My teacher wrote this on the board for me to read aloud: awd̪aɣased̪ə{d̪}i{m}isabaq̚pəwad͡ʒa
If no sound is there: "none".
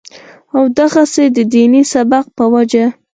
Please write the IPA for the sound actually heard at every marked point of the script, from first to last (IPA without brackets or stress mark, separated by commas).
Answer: d̪, n